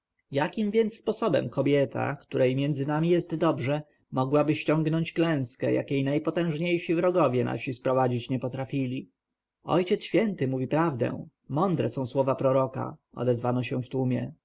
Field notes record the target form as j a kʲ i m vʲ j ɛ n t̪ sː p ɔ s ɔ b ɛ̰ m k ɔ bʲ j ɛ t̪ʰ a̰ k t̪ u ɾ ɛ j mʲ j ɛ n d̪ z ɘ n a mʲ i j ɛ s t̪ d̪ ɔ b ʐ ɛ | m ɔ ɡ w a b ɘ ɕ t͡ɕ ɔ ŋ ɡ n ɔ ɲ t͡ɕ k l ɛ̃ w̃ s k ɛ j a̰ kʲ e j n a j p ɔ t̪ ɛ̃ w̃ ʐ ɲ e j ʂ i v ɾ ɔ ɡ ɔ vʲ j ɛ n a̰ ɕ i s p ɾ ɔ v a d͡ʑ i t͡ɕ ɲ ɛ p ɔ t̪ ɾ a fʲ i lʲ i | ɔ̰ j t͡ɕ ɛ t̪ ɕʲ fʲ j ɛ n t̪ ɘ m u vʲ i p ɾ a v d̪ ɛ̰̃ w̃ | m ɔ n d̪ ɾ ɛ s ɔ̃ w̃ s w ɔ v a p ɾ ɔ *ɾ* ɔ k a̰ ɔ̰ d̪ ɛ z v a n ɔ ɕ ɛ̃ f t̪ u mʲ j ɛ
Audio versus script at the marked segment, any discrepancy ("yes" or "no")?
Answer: no